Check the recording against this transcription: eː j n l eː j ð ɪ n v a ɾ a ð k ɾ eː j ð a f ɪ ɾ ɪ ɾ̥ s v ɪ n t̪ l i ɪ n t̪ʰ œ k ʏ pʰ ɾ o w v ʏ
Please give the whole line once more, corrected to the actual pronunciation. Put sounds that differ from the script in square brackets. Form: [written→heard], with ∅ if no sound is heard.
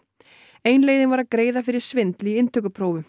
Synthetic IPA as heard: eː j n l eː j ð ɪ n v a ɾ a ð k ɾ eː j ð a f ɪ ɾ ɪ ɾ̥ s v ɪ n t̪ l i ɪ n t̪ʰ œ k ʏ pʰ ɾ o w v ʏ